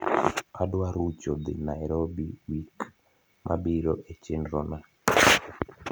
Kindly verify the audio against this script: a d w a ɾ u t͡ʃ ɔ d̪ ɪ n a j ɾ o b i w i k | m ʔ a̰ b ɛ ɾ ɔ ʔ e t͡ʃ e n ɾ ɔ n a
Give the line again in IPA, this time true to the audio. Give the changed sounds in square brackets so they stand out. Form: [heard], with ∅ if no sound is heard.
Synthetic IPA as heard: a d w a ɾ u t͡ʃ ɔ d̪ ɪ n a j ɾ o b i w i k | m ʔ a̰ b [i] ɾ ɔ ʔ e t͡ʃ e n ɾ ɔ n a